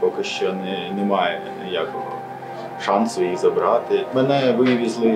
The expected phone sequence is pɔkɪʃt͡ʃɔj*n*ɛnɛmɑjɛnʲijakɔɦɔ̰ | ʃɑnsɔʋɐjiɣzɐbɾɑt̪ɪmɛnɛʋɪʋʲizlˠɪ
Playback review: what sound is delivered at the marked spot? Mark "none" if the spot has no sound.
n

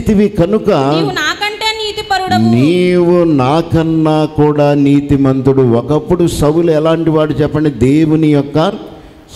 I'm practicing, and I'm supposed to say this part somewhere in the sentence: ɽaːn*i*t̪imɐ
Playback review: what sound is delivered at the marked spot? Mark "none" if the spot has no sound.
iː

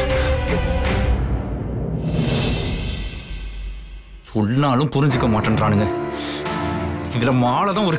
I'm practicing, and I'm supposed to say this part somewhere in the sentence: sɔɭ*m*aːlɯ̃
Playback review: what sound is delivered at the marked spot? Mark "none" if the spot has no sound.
n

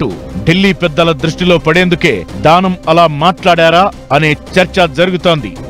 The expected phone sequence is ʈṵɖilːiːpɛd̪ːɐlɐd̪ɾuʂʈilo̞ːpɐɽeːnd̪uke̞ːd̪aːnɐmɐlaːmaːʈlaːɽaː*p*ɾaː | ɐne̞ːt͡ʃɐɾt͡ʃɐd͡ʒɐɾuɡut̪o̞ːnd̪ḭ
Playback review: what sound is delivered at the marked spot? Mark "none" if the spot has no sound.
none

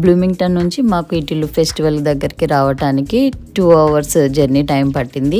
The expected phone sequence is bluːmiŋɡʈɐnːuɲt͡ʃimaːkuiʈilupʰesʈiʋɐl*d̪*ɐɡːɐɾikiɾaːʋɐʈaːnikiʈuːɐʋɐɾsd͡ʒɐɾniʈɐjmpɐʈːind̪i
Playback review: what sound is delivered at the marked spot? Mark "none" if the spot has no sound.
d̪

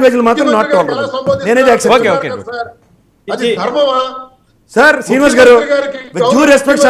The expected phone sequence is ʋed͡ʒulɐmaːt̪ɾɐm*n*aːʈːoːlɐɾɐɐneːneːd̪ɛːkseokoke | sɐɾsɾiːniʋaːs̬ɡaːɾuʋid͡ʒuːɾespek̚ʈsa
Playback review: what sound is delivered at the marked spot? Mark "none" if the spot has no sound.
n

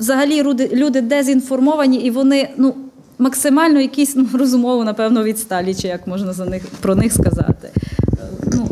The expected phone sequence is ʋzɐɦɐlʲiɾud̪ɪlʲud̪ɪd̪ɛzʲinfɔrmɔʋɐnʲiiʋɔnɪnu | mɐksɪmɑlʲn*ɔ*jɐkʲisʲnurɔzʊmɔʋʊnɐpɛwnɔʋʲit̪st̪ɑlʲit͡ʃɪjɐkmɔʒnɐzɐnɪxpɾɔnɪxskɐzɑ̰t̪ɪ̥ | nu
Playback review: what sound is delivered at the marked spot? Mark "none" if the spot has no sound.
ɔ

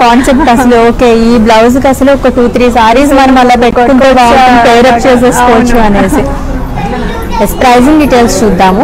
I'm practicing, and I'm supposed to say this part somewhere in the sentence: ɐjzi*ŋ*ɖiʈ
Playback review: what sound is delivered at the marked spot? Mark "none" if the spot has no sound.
ŋ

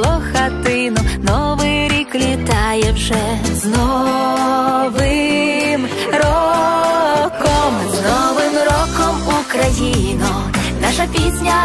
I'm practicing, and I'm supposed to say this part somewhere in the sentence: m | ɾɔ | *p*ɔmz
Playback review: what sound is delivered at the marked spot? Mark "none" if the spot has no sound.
k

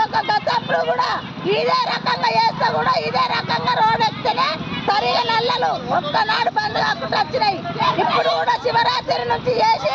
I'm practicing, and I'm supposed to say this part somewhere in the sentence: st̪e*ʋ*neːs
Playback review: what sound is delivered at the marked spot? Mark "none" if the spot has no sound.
none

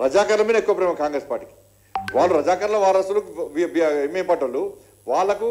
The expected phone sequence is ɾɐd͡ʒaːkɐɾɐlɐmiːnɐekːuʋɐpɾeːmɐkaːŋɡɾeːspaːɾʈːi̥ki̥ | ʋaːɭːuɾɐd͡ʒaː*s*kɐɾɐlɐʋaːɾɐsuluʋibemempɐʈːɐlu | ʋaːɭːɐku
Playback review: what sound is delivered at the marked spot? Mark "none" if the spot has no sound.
none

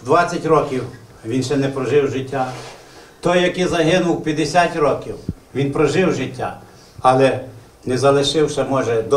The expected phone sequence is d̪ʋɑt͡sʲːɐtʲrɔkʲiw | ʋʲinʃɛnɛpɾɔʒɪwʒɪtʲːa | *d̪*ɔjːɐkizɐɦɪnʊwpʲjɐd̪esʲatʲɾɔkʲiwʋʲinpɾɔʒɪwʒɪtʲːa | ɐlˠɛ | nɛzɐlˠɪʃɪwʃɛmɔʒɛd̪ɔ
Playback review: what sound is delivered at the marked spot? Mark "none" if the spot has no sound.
t̪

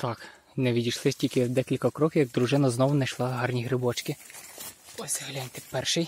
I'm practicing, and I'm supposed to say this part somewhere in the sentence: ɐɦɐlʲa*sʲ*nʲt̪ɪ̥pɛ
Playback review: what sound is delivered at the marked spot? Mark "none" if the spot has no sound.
none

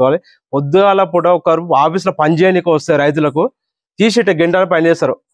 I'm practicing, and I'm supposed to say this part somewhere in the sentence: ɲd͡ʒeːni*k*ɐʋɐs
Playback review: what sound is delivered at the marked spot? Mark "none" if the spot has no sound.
k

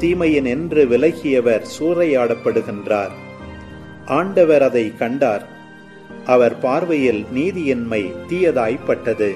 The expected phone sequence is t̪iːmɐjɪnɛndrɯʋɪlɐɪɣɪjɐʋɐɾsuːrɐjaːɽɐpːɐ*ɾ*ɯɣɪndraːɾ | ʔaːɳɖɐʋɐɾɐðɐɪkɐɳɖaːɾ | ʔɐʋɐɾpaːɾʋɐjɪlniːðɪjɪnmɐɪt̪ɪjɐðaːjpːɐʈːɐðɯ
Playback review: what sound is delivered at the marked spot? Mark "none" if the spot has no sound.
ɽ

